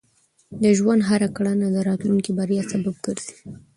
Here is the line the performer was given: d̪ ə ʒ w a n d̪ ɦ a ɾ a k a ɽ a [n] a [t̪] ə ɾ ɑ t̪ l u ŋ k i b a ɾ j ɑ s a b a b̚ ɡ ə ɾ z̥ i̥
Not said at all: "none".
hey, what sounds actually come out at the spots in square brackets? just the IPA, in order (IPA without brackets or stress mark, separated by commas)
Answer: n, d̪